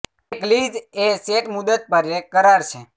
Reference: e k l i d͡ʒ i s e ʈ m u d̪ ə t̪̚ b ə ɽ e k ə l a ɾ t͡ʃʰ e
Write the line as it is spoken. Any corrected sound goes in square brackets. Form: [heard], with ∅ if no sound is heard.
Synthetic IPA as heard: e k l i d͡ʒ [e] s e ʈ m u d̪ ə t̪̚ [p] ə [ɾ] e k ə [ɾ] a ɾ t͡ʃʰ e